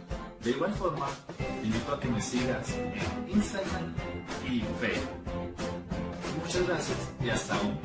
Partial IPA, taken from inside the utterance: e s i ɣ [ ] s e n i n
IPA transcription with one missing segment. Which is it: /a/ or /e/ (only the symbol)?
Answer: a